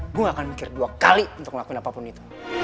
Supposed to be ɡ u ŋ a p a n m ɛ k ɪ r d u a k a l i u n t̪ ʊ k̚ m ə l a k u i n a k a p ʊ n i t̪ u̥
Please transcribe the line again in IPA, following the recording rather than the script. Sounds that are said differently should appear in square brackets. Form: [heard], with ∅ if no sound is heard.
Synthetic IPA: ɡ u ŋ a [k] a n m [i] k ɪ r d u a k a l i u n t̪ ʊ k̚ m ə l a k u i n a [p] a p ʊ n i t̪ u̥